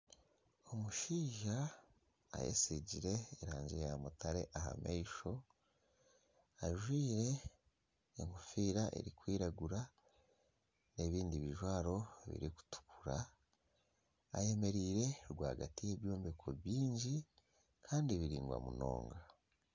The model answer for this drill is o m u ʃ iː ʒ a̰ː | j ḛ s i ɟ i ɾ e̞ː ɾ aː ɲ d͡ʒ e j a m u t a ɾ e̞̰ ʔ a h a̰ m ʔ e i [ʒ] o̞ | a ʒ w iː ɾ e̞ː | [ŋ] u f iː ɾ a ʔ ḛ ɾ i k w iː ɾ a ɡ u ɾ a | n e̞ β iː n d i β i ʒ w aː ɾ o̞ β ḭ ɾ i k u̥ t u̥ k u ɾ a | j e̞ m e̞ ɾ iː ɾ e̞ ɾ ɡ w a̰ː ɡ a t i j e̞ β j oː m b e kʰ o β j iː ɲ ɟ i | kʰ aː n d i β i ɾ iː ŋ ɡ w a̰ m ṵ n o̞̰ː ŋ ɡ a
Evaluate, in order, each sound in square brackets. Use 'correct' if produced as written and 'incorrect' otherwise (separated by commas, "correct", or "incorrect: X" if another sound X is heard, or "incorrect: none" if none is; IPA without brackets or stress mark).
incorrect: ʃ, correct